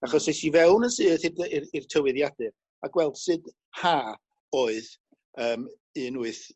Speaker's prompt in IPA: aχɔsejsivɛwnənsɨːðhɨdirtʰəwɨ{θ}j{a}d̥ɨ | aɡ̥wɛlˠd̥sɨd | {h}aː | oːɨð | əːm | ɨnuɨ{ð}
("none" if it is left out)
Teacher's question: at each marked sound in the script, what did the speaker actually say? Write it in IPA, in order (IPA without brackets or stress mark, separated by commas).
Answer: ð, a, h, θ